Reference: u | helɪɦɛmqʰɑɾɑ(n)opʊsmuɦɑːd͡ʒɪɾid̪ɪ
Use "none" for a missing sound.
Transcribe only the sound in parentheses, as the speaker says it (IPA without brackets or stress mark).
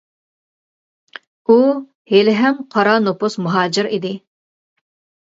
n